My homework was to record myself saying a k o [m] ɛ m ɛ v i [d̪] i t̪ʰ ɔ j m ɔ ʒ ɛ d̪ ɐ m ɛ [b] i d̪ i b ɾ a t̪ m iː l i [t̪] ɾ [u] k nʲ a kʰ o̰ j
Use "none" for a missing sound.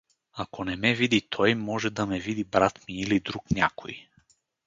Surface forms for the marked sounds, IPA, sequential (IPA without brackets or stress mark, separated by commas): n, d̪, v, d̪, u